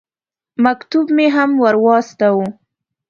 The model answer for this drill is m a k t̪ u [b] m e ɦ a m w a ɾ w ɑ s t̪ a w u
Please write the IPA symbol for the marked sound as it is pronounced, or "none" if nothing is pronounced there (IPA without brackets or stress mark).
b